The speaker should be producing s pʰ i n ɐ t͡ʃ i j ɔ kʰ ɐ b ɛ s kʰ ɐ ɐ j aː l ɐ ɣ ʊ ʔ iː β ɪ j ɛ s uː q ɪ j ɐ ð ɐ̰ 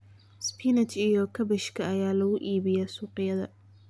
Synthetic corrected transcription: s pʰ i n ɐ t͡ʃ i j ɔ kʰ ɐ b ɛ ʃ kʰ ɐ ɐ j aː l ɐ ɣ ʊ ʔ iː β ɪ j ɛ s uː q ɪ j ɐ ð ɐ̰